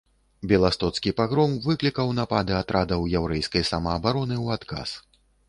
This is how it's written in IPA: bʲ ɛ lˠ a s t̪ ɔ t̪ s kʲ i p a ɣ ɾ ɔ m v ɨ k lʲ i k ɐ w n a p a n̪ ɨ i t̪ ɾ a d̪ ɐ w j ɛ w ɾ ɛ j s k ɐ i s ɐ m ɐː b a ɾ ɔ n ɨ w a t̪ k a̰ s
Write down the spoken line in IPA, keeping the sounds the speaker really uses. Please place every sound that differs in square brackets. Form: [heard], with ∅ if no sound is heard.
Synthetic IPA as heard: bʲ ɛ lˠ a s t̪ ɔ t̪ s kʲ i p a ɣ ɾ ɔ m v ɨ k lʲ i k ɐ w n a p a [d̪] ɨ [a] t̪ ɾ a d̪ ɐ w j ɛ w ɾ ɛ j s k ɐ [j] s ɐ m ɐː b a ɾ ɔ n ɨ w a t̪ k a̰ s